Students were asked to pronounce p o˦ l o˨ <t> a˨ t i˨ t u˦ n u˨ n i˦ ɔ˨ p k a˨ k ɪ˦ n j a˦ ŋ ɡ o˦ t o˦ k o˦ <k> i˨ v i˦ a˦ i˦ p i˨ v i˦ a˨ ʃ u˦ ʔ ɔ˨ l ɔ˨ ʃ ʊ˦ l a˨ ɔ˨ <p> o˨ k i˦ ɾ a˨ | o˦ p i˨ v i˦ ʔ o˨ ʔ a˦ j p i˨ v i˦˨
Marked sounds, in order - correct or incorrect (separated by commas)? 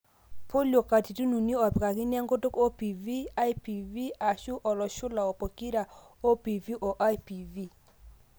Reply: incorrect, incorrect, correct